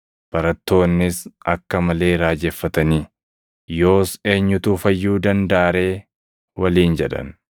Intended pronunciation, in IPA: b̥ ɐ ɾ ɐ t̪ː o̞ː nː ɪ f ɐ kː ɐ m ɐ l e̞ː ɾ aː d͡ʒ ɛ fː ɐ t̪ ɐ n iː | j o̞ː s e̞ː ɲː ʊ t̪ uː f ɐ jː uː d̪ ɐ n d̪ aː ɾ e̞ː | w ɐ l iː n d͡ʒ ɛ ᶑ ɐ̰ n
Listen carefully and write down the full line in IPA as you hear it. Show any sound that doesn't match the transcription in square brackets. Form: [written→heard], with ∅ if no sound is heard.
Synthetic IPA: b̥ ɐ ɾ ɐ t̪ː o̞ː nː ɪ [f→s] ɐ kː ɐ m ɐ l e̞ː ɾ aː d͡ʒ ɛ fː ɐ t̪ ɐ n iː | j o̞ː s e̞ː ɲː ʊ t̪ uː f ɐ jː uː d̪ ɐ n d̪ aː ɾ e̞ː | w ɐ l iː n d͡ʒ ɛ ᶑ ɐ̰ n

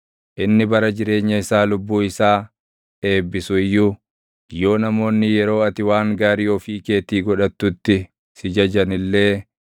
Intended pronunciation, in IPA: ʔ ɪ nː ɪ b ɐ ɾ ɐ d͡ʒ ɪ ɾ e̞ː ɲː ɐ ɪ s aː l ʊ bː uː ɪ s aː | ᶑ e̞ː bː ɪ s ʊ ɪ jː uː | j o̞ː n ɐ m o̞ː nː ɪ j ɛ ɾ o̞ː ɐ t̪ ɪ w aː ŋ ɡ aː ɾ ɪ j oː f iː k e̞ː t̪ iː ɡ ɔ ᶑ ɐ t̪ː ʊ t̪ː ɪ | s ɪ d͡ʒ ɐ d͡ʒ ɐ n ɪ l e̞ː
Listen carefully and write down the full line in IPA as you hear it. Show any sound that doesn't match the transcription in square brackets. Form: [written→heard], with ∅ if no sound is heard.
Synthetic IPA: ʔ ɪ nː ɪ b ɐ ɾ ɐ d͡ʒ ɪ ɾ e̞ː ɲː ɐ ɪ s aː l ʊ bː uː ɪ s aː | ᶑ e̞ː bː ɪ s ʊ ɪ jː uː | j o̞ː n ɐ m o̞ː nː ɪ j ɛ ɾ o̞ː ɐ t̪ ɪ w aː ŋ ɡ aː ɾ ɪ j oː f iː k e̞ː t̪ iː ɡ ɔ ᶑ ɐ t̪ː ʊ t̪ː ɪ | s ɪ d͡ʒ ɐ d͡ʒ ɐ n ɪ [l→lː] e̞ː

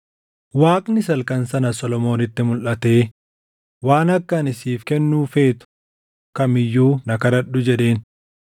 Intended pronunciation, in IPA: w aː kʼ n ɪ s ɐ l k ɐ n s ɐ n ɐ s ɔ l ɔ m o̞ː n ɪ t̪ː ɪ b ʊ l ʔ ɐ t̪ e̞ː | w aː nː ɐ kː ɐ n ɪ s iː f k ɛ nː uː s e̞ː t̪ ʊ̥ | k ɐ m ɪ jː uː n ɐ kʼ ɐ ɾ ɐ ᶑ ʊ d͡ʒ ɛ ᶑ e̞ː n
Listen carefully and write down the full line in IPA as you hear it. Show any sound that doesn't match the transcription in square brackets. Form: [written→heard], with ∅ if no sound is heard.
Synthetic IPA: w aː kʼ n ɪ s ɐ l k ɐ n s ɐ n ɐ s ɔ l ɔ m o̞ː n ɪ t̪ː ɪ [b→m] ʊ l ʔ ɐ t̪ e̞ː | w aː [nː→n] ɐ kː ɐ n ɪ s iː f k ɛ nː uː [s→f] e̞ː t̪ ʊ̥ | k ɐ m ɪ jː uː n ɐ [kʼ→k] ɐ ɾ ɐ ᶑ ʊ d͡ʒ ɛ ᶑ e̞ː n

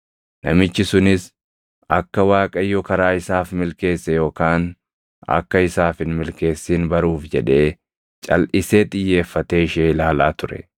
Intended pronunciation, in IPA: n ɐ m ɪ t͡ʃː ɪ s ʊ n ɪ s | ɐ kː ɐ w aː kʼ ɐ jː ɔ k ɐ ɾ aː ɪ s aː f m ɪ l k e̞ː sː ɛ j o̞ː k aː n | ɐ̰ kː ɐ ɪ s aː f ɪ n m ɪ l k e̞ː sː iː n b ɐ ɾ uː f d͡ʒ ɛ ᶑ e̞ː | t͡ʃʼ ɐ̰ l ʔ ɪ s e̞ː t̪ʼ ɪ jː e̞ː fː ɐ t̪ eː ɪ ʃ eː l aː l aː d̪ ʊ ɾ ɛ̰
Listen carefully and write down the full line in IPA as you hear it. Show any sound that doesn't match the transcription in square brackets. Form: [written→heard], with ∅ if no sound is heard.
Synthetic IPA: n ɐ m ɪ t͡ʃː ɪ s ʊ n ɪ s | ɐ kː ɐ w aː kʼ ɐ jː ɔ k ɐ ɾ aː ɪ s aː f m ɪ l k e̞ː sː ɛ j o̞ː k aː n | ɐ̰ kː ɐ ɪ s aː f ɪ n m ɪ l k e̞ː sː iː n b ɐ ɾ uː f d͡ʒ ɛ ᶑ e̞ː | t͡ʃʼ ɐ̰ l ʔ ɪ s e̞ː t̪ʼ ɪ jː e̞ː fː ɐ t̪ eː ɪ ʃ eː l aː l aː [d̪→t̪] ʊ ɾ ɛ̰

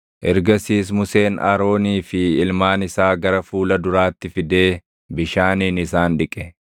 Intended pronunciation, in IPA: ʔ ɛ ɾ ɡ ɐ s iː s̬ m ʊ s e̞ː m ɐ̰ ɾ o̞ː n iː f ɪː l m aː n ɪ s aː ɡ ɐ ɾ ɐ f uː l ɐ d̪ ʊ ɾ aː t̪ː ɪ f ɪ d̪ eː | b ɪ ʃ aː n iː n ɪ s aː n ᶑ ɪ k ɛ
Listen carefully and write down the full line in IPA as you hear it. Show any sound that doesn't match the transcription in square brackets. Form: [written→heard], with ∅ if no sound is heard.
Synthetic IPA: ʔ ɛ ɾ ɡ ɐ s iː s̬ m ʊ s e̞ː [m→n] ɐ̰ ɾ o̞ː n iː f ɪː l m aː n ɪ s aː ɡ ɐ ɾ ɐ f uː l ɐ d̪ ʊ ɾ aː t̪ː ɪ f ɪ d̪ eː | b ɪ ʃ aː n iː n ɪ s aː n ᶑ ɪ [k→kʼ] ɛ

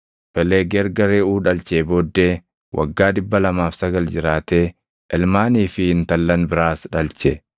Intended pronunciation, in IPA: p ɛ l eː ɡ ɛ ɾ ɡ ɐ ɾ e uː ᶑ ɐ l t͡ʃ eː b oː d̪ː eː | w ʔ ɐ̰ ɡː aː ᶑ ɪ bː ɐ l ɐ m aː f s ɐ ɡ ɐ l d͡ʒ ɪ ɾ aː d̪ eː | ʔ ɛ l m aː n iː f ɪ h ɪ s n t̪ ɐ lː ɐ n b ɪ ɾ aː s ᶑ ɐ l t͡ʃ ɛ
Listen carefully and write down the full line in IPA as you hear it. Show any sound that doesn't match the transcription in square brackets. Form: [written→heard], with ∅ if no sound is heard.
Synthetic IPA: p ɛ l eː ɡ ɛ ɾ ɡ ɐ ɾ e uː ᶑ ɐ l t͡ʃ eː b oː d̪ː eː | w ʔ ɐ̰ ɡː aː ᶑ ɪ bː ɐ l ɐ m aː f s ɐ ɡ ɐ l d͡ʒ ɪ ɾ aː [d̪→t̪] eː | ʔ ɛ l m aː n iː f ɪ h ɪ [s→∅] n t̪ ɐ lː ɐ n b ɪ ɾ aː s ᶑ ɐ l t͡ʃ ɛ

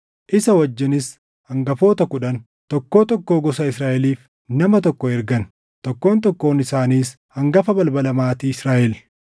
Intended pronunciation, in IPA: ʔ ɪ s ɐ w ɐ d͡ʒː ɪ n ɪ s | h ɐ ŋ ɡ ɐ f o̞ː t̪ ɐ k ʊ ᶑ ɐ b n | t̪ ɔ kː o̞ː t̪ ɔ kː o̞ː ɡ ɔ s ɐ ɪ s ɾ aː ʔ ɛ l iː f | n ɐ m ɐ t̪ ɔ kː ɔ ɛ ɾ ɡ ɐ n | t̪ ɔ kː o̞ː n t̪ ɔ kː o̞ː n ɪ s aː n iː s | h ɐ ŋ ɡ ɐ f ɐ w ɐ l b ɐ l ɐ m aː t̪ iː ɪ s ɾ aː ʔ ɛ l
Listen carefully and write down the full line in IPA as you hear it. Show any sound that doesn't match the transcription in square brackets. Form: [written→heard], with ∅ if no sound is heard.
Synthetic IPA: ʔ ɪ s ɐ w ɐ d͡ʒː ɪ n ɪ s | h ɐ ŋ ɡ ɐ f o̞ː t̪ ɐ k ʊ ᶑ ɐ [b→∅] n | t̪ ɔ kː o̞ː t̪ ɔ kː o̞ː ɡ ɔ s ɐ ɪ s ɾ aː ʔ ɛ l iː f | n ɐ m ɐ t̪ ɔ kː ɔ ɛ ɾ ɡ ɐ n | t̪ ɔ kː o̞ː n t̪ ɔ kː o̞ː n ɪ s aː n iː s | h ɐ ŋ ɡ ɐ f ɐ [w→b] ɐ l b ɐ l ɐ m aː t̪ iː ɪ s ɾ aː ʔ ɛ l

